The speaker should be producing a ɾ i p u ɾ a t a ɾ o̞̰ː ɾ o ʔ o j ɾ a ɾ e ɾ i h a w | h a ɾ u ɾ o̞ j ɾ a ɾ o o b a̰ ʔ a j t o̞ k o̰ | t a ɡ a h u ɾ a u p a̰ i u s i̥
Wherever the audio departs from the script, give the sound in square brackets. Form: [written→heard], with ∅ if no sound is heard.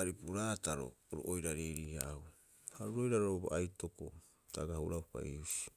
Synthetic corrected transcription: a ɾ i p u ɾ a t a ɾ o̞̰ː ɾ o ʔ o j ɾ a ɾ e ɾ i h a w | h a ɾ u ɾ o̞ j ɾ a ɾ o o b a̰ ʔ a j t o̞ k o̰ | t a ɡ a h u ɾ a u p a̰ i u s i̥